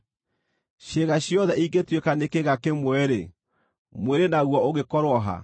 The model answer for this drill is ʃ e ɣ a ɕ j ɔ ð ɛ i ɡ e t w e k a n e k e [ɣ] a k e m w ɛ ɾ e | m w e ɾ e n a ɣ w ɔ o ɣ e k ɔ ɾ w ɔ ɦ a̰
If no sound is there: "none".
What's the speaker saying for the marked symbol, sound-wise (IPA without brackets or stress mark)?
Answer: ɣ